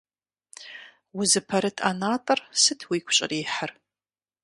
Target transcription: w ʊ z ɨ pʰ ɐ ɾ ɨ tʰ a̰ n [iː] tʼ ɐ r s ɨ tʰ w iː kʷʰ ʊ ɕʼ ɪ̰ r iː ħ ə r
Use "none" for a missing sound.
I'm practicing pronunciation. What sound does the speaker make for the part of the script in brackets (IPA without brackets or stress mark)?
aː